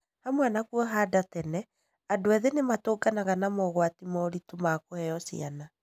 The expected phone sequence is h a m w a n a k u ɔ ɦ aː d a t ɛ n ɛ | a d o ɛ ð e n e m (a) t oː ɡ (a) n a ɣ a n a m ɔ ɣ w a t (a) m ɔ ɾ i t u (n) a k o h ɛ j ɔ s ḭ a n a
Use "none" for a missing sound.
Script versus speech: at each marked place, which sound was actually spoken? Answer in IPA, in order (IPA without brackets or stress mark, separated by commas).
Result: a, a, i, m